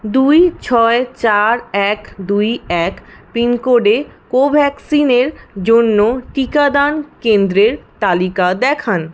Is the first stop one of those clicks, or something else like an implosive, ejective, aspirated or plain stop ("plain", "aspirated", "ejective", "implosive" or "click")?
plain